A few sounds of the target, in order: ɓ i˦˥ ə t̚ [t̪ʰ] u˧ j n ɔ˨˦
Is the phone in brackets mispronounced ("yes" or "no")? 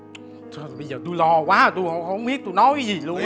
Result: yes